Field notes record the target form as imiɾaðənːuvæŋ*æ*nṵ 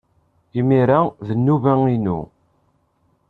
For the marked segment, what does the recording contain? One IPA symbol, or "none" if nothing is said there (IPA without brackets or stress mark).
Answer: i